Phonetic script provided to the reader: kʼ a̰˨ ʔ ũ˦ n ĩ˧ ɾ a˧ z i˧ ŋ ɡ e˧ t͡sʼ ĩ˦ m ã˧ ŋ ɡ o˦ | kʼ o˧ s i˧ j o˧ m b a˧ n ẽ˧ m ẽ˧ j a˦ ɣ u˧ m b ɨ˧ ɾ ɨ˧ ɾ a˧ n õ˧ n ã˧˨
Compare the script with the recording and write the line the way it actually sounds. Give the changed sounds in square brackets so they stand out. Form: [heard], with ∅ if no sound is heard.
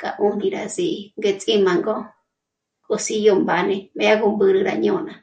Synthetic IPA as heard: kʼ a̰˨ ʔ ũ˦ n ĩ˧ ɾ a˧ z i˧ ŋ ɡ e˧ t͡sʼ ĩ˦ m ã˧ ŋ ɡ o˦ | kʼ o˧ s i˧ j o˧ m b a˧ n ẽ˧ m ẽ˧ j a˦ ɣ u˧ m b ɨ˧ ɾ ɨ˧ ɾ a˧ [ɲ] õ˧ n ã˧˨